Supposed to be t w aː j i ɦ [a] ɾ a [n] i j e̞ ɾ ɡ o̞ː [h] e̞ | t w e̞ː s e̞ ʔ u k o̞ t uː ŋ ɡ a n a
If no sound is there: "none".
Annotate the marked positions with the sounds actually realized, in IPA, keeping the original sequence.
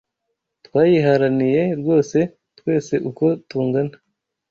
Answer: a, n, s

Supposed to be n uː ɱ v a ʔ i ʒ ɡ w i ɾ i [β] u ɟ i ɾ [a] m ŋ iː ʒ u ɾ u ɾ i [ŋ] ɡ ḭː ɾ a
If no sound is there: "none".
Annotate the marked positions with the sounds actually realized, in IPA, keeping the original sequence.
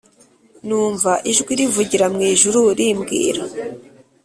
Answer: v, a, m

